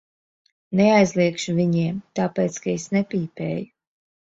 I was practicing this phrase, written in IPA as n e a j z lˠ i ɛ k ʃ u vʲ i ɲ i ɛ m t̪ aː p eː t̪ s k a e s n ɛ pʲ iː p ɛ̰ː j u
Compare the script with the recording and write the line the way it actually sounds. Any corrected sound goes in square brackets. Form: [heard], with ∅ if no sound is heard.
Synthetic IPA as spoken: n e a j z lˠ i ɛ k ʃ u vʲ i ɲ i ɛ m t̪ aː p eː t̪ s k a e s n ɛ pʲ iː p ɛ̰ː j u

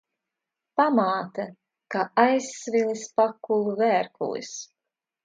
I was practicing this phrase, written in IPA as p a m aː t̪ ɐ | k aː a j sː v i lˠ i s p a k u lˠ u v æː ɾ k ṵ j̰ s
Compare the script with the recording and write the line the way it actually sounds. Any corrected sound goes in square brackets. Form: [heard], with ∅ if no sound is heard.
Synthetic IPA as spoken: p a m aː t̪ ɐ | k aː a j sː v i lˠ i s p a k u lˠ u v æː ɾ k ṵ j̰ s

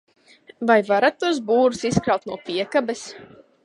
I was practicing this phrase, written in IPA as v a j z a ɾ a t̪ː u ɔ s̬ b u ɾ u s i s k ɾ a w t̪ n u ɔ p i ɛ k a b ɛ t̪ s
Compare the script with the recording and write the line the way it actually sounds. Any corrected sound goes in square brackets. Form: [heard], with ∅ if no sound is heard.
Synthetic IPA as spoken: v a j [v] a ɾ a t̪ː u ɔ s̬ b [uː] ɾ u s i s k ɾ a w t̪ n u ɔ p i ɛ k a b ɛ [∅] s

